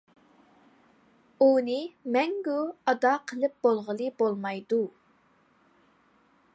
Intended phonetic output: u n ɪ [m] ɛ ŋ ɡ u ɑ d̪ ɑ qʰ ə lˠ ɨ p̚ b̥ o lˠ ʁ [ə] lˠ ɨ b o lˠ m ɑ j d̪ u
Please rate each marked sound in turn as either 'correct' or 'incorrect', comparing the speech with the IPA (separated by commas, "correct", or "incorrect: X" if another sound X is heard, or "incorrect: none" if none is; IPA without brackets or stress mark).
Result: correct, correct